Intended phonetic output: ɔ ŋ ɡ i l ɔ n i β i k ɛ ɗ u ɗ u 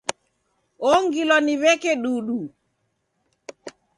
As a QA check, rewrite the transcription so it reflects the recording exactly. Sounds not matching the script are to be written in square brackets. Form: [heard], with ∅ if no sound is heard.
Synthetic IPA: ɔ ŋ ɡ i l ɔ n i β [ɛ] k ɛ ɗ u ɗ u